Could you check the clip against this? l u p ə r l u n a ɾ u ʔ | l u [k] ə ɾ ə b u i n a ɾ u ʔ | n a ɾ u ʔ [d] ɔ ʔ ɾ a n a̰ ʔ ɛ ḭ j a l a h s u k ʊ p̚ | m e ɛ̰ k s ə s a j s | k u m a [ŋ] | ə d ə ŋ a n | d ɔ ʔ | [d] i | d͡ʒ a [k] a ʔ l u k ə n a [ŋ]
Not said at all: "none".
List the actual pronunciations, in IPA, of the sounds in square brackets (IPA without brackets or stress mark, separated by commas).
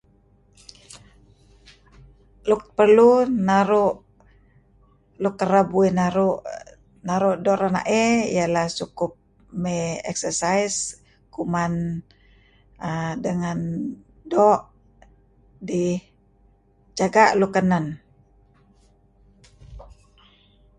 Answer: k, d, n, d, ɡ, n